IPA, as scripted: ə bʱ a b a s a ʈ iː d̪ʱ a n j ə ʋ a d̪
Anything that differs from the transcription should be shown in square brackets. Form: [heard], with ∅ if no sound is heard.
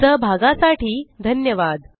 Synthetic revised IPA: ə bʱ a [ɡ] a s a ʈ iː d̪ʱ [ə] n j ə ʋ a d̪